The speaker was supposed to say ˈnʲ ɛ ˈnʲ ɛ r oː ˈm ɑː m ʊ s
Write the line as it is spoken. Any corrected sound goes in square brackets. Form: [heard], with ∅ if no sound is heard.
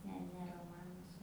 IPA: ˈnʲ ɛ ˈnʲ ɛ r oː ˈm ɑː [n] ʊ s